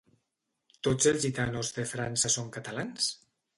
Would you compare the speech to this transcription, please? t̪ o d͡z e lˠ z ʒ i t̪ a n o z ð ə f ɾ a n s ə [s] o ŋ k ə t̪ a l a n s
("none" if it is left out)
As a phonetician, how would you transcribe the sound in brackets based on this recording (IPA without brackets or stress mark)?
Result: s